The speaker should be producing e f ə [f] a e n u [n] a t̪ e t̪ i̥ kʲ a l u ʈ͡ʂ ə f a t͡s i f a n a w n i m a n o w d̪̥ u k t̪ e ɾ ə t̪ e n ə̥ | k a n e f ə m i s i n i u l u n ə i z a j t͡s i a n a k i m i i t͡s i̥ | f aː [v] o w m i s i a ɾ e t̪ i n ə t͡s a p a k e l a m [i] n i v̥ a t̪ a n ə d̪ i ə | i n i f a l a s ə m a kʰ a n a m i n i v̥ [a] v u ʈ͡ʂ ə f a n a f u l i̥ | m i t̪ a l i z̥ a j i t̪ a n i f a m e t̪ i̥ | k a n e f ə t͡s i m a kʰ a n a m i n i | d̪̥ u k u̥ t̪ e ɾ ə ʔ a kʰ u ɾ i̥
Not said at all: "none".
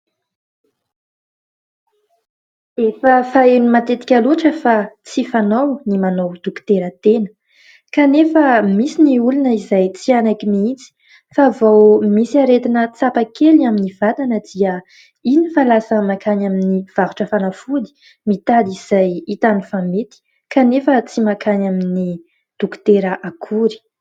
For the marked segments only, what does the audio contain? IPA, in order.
f, m, v, i, a

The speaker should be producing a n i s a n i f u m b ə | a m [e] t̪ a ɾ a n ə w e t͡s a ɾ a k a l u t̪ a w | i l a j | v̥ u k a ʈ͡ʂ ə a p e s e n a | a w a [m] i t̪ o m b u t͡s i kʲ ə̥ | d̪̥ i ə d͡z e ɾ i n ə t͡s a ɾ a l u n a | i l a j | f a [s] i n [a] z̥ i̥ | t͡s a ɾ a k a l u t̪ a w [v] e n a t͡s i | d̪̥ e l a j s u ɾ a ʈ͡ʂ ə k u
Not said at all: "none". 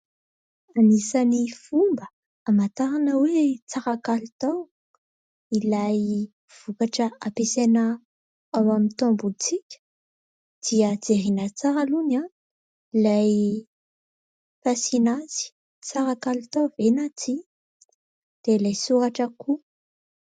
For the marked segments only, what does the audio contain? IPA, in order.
a, m, s, a, v

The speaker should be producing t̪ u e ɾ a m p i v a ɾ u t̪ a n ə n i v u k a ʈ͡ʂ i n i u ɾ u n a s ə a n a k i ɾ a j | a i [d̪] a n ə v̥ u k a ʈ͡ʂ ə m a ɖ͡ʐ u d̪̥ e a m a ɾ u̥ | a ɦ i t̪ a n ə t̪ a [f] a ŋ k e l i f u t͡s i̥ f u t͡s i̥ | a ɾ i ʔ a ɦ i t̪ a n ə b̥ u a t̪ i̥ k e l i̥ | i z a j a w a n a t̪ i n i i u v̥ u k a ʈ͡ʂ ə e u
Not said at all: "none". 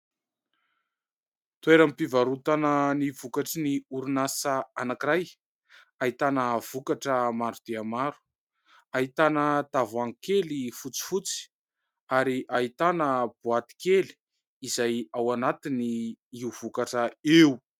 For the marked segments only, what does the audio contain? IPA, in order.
t̪, v

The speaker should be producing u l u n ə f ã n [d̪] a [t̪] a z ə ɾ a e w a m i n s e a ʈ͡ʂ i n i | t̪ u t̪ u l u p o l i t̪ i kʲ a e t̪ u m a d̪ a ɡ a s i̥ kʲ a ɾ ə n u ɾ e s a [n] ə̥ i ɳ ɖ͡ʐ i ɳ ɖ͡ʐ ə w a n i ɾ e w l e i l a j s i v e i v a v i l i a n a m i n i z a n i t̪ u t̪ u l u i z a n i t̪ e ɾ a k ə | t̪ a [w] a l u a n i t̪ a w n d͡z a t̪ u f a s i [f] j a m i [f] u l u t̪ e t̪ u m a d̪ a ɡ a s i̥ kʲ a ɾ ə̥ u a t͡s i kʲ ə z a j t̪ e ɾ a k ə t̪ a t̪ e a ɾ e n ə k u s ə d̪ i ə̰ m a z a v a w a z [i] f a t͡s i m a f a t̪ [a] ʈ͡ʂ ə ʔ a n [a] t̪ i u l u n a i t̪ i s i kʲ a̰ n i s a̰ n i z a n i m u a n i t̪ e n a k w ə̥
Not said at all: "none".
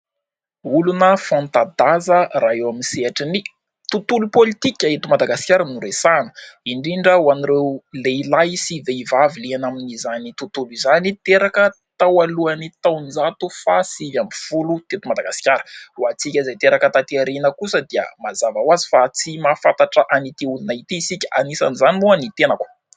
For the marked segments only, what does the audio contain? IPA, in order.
t̪, d̪, n, w, v, f, i, a, i

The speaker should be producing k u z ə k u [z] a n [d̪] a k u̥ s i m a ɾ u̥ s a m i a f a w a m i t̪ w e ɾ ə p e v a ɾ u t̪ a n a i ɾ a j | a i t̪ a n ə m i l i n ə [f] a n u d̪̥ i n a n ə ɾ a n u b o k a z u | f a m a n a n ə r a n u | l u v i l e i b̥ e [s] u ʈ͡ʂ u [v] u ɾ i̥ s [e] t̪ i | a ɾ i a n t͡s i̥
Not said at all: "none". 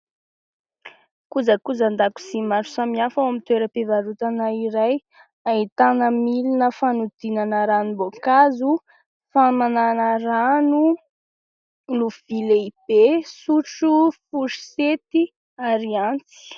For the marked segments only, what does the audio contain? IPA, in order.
z, d̪, f, s, f, e

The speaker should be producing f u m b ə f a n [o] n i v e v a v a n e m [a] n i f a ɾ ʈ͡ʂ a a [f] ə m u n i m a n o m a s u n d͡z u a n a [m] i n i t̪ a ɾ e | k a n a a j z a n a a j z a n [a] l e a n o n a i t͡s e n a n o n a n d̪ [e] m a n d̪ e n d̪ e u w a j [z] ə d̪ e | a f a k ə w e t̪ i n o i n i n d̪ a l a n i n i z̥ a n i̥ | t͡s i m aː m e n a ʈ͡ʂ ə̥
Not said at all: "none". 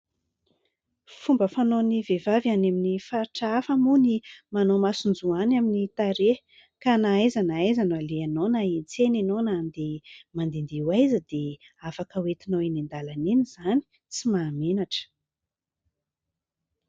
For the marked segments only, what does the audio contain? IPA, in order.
o, i, f, m, a, e, z

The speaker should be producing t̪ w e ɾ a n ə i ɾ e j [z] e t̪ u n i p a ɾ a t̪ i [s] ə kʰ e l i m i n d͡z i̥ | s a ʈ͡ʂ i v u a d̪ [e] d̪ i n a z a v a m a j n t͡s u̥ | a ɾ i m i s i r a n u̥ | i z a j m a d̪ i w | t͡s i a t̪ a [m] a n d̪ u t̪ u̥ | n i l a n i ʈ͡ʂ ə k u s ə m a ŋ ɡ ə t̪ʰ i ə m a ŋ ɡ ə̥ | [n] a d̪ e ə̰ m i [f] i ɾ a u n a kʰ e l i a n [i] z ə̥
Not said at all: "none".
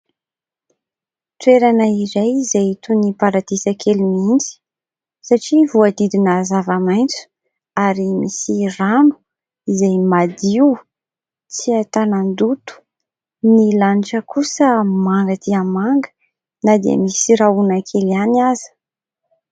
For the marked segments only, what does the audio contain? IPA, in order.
z, s, i, n, n, s, a

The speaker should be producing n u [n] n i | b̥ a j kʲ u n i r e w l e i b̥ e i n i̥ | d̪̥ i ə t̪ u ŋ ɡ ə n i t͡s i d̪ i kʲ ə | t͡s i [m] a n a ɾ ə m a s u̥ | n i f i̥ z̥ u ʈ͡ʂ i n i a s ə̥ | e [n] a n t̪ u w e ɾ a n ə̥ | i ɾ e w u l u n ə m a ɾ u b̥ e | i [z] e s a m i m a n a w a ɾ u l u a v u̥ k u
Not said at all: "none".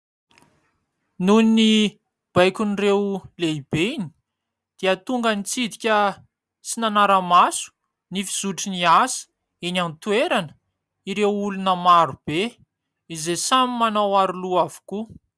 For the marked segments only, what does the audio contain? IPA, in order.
n, n, n, z

